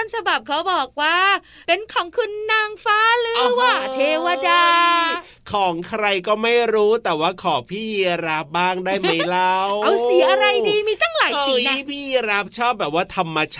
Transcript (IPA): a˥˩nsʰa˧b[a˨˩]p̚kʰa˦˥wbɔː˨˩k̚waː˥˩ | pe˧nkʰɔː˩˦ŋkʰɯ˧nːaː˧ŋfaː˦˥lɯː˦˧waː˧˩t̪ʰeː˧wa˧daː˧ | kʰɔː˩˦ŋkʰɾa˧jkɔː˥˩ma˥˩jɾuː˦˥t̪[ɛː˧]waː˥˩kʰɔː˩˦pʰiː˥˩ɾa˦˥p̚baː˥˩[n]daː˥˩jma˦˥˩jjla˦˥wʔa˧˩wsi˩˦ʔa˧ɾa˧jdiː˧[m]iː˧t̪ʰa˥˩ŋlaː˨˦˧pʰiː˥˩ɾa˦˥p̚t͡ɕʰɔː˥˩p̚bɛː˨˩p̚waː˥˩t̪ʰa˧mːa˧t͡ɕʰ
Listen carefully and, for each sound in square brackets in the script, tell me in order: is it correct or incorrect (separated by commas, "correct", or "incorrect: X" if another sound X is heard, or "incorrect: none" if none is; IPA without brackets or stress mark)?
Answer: correct, incorrect: ɛː˨˩, incorrect: ŋ, correct